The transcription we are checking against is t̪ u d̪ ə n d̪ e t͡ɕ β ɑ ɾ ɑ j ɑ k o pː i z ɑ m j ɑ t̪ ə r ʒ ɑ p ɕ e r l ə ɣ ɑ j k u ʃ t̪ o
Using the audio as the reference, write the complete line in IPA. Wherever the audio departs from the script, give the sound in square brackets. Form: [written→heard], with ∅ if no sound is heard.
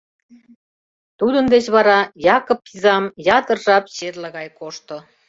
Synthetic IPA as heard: t̪ u d̪ ə n d̪ e t͡ɕ β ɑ ɾ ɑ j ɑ k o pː i z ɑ m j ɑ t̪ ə r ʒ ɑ p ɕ e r l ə ɣ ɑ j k [u→o] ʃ t̪ o

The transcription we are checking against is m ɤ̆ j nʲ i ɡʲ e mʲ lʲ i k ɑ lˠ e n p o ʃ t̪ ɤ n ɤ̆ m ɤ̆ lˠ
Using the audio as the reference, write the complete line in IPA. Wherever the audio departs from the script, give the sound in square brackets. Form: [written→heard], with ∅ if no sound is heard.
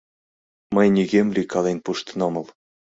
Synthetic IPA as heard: m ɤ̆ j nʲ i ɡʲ e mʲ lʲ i k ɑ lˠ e n p [o→u] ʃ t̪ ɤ n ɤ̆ m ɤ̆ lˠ

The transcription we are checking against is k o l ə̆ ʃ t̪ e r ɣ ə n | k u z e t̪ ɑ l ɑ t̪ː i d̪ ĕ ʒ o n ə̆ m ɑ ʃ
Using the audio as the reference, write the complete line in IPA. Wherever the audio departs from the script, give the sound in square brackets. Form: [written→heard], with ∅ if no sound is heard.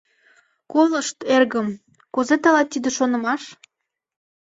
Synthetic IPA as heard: k o l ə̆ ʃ t̪ e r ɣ ə [n→m] | k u z e t̪ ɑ l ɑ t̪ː i d̪ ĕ [ʒ→ʃ] o n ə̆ m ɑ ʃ

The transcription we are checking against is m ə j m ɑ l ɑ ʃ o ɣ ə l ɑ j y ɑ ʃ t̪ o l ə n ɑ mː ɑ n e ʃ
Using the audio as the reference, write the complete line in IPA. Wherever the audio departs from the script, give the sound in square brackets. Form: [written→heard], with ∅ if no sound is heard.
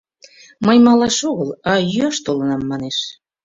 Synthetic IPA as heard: m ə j m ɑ l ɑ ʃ o ɣ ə l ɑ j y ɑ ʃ t̪ o l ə n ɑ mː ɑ n e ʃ

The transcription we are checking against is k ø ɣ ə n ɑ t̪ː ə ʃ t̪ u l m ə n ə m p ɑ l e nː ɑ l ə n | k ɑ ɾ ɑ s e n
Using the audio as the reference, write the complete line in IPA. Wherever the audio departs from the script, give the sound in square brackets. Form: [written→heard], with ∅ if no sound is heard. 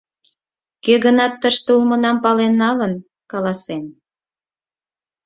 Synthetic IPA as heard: k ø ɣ ə n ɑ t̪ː ə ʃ t̪ u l m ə n [ə→ɑ] m p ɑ l e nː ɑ l ə n | k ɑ [ɾ→l] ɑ s e n

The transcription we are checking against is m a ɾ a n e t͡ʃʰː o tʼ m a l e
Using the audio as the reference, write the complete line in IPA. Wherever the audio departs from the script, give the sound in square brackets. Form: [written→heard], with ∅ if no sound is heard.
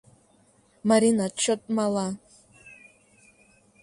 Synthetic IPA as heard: m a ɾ [a→i] n [e→a] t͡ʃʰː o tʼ m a l [e→a]

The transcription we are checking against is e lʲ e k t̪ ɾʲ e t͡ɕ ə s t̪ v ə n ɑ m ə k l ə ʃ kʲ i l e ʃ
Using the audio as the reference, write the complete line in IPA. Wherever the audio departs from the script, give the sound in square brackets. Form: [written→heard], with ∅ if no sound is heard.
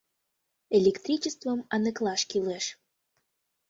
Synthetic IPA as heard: e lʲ e k t̪ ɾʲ [e→i] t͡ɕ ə s t̪ v ə [n→m] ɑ [m→n] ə k l [ə→ɑ] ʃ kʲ i l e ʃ

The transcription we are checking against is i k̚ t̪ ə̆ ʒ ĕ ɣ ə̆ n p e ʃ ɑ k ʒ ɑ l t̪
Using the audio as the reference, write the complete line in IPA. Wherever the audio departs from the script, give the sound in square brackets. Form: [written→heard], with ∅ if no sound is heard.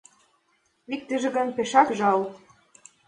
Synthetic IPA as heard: i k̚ t̪ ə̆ ʒ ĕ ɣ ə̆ n p e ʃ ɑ k ʒ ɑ l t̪

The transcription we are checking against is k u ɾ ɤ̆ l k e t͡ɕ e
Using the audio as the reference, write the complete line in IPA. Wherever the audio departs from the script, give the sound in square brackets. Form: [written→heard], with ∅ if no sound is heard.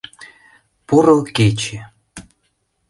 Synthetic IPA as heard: [k→p] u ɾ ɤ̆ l k e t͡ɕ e

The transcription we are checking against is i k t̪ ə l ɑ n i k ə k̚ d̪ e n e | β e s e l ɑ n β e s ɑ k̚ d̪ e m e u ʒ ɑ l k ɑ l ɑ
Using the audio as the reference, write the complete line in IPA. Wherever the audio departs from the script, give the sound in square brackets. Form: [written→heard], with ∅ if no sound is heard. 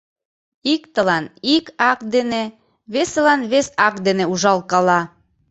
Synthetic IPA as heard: i k t̪ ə l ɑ n i k [ə→ɑ] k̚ d̪ e n e | β e s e l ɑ n β e s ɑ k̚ d̪ e [m→n] e u ʒ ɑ l k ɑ l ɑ

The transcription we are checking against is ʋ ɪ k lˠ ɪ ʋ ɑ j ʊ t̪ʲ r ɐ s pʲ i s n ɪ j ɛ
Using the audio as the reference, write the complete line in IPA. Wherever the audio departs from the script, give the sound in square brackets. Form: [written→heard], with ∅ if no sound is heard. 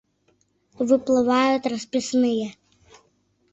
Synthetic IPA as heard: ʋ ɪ [k→p] lˠ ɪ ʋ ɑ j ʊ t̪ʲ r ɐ s pʲ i s n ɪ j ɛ

